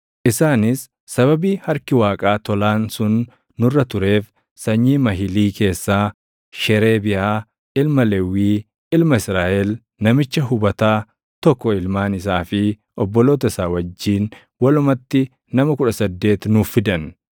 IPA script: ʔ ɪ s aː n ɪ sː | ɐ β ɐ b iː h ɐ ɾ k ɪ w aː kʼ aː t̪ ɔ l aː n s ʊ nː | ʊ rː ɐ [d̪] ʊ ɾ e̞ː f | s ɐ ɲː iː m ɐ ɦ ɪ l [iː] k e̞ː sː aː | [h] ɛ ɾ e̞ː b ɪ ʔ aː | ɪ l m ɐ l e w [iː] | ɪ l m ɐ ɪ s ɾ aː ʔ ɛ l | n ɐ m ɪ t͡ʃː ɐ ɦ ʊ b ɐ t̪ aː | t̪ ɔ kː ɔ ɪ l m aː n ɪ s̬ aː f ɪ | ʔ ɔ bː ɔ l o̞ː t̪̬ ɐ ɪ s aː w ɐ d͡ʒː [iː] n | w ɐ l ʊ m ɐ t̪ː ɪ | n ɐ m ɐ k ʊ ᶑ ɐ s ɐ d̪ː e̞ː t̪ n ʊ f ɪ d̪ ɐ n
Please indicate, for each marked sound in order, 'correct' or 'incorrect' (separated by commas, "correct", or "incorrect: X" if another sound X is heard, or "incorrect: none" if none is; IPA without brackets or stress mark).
incorrect: t̪, correct, incorrect: ʃ, correct, correct